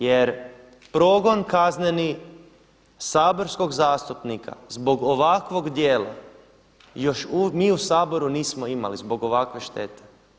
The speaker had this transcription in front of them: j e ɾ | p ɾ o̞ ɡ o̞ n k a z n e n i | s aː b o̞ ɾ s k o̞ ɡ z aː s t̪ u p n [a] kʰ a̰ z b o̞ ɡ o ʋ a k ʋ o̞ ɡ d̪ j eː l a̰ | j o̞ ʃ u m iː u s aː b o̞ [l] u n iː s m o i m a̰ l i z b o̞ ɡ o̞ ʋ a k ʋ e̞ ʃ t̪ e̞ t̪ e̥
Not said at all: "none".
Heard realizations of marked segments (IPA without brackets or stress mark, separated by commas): i, ɾ